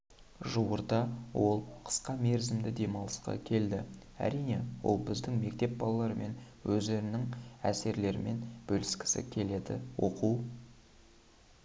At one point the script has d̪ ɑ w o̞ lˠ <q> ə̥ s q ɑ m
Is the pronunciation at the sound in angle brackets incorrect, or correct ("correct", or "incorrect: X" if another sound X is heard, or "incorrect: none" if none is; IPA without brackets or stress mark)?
incorrect: qʰ